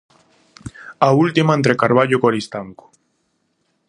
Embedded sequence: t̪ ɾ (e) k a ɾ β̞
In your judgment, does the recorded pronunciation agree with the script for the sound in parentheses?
yes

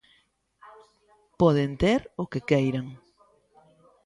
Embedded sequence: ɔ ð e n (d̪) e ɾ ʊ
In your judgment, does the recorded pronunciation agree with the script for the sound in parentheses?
no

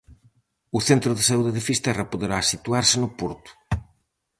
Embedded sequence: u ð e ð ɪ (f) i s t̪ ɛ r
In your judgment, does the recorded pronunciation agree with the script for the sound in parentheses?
yes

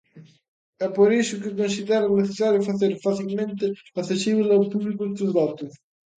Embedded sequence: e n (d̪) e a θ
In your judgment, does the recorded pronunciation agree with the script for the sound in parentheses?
no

